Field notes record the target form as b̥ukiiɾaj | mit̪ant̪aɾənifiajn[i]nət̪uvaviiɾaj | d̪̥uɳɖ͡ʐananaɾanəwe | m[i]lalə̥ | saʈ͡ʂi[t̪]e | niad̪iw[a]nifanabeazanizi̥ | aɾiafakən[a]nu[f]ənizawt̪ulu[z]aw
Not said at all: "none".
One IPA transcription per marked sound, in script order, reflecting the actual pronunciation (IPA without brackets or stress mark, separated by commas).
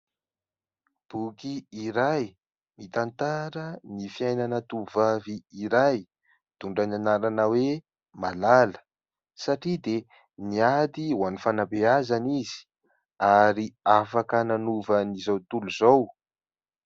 a, a, d̪, a, a, v, z